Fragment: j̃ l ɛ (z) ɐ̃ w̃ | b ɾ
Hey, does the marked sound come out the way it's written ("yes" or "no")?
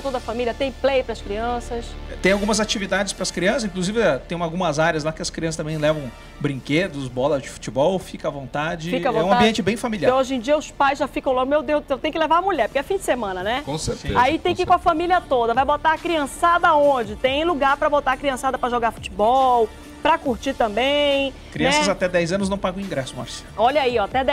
no